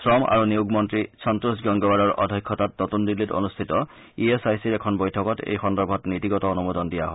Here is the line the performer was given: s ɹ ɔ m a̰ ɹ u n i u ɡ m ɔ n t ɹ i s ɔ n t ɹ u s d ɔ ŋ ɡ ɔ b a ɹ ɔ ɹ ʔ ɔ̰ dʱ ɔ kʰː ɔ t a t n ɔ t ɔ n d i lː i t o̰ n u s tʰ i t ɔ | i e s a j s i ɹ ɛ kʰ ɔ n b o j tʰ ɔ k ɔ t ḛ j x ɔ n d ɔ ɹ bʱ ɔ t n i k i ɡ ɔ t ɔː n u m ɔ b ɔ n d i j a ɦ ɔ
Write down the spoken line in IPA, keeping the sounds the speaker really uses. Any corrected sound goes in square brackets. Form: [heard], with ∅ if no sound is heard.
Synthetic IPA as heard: s ɹ ɔ m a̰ ɹ u n i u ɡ m ɔ n t ɹ i s ɔ n t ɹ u s [ɡ] ɔ ŋ ɡ ɔ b a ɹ ɔ ɹ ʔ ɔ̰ dʱ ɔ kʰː ɔ t a t n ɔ t [u] n d i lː i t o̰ n u s tʰ i t ɔ | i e s a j s i ɹ ɛ kʰ ɔ n b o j tʰ ɔ k ɔ t ḛ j x ɔ n d ɔ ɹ bʱ ɔ t n i [t] i ɡ ɔ t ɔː n u m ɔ [d] ɔ n d i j a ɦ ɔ